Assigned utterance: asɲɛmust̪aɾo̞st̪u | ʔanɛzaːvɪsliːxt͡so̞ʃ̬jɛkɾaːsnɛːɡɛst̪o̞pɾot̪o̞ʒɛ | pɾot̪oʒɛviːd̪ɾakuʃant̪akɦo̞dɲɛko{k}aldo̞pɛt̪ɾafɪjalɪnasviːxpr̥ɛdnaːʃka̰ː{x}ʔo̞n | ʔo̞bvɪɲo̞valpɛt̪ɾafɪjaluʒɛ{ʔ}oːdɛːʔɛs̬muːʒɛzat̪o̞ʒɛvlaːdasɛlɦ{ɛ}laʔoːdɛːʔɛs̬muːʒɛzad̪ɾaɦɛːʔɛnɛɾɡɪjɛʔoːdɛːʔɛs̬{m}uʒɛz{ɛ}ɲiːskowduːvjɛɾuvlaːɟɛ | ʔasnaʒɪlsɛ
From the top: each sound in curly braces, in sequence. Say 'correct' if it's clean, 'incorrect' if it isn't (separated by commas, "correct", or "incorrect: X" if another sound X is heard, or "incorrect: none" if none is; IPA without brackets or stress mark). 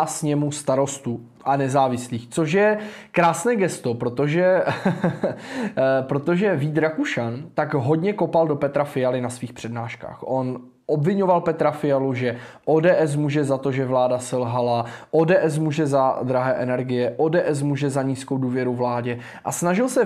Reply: incorrect: p, correct, correct, incorrect: a, correct, incorrect: a